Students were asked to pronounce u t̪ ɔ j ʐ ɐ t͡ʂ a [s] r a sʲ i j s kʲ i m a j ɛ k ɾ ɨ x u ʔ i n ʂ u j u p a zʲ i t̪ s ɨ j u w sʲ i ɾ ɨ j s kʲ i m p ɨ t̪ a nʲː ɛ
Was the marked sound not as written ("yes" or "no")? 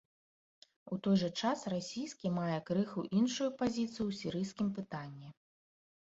no